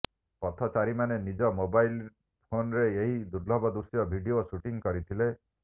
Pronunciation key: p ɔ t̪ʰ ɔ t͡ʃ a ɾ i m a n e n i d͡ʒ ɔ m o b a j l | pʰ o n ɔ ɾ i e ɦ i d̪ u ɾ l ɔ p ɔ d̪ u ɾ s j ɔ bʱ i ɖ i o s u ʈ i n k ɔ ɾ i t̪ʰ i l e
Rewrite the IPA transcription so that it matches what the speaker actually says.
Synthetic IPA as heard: p ɔ t̪ʰ ɔ t͡ʃ a ɾ i m a n e n i d͡ʒ ɔ m o b a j l | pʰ o n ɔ ɾ e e ɦ i d̪ u ɾ l ɔ b ɔ d̪ u ɾ s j ɔ bʱ i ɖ i o s u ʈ i ŋ k ɔ ɾ i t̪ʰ i l e